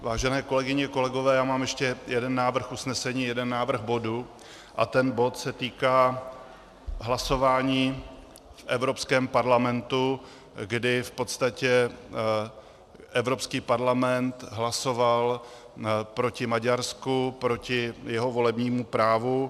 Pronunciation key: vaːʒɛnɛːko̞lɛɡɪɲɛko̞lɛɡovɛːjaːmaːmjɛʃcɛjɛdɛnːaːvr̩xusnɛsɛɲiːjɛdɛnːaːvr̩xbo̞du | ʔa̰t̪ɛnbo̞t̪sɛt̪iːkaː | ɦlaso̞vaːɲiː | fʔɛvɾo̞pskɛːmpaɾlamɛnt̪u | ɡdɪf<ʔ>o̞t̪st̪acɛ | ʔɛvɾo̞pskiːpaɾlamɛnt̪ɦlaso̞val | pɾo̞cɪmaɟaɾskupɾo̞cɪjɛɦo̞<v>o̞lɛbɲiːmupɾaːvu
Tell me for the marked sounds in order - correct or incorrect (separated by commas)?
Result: incorrect, correct